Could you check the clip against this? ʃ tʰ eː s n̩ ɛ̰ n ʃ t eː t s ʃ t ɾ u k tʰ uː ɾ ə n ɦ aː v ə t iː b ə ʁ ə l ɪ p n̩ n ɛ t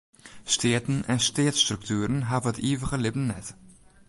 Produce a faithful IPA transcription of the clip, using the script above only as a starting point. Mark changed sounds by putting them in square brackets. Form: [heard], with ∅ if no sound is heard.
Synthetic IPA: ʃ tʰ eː [t] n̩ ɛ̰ n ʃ t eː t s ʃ t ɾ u k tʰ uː ɾ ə n ɦ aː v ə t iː [v] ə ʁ ə l ɪ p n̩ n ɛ t